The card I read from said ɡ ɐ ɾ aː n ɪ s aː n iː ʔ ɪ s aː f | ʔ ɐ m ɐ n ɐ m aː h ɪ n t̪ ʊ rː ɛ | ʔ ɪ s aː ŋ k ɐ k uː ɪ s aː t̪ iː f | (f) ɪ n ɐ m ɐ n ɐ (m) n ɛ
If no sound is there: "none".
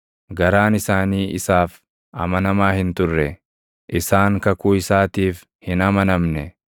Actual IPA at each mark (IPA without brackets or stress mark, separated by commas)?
h, m